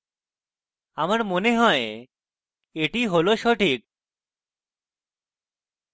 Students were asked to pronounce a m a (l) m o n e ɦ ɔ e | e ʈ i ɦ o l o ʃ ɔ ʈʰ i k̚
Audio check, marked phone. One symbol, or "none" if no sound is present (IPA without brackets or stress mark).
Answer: ɾ